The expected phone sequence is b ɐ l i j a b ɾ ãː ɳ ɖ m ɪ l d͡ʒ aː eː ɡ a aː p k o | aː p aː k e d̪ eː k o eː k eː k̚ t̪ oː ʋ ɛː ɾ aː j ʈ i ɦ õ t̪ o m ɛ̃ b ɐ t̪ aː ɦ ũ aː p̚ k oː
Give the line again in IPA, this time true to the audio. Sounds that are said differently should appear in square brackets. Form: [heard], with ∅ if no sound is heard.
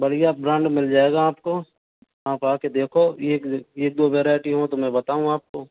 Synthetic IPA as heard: b ɐ [ɽ] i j a b ɾ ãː ɳ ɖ m ɪ l d͡ʒ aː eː ɡ a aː p k o | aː p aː k e d̪ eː [kʰ] o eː k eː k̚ [d̪] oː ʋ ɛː ɾ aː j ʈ i ɦ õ t̪ o m ɛ̃ b ɐ t̪ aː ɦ ũ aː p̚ k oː